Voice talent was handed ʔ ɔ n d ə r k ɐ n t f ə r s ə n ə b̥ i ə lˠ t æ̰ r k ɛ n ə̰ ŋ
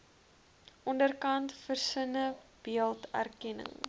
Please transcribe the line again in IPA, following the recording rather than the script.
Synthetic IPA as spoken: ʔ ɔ n d ə r k ɐ n t f ə r s ə n ə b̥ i ə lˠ t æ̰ r k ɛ n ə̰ ŋ

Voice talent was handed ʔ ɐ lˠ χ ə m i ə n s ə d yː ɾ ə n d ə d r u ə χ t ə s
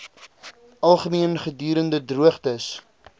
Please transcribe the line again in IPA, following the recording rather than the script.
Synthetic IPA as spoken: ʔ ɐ lˠ χ ə m i ə n χ ə d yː ɾ ə n d ə d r u ə χ t ə s

